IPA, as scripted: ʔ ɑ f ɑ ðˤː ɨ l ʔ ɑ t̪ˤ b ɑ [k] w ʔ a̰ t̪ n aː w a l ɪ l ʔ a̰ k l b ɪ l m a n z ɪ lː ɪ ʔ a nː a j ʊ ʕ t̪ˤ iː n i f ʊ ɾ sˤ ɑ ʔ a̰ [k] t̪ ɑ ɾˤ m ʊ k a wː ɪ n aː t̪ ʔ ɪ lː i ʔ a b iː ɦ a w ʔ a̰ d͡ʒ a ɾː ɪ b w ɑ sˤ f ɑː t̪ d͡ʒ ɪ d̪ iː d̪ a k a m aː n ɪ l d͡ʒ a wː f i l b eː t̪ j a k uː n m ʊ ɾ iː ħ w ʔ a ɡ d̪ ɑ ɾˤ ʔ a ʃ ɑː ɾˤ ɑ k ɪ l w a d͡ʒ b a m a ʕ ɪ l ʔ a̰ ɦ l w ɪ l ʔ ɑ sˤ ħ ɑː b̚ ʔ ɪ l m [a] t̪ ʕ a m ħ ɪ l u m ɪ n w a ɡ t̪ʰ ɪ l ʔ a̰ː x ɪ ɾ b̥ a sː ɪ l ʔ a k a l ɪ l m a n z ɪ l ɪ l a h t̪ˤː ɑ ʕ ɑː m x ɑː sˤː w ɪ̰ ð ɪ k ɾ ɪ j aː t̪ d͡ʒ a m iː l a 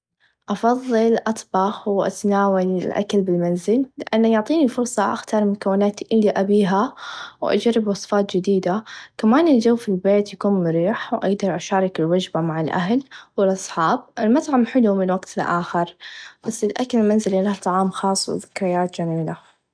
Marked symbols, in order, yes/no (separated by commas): no, no, yes